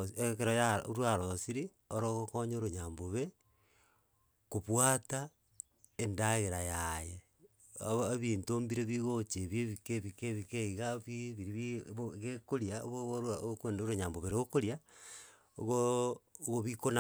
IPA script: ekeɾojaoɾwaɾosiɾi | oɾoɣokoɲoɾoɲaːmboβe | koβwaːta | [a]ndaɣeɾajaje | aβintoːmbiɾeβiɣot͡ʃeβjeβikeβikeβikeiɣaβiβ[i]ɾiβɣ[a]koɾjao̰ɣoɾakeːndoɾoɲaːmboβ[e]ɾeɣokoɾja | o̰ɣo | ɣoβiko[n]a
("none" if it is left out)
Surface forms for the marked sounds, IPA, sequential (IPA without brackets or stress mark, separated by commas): e, i, e, e, n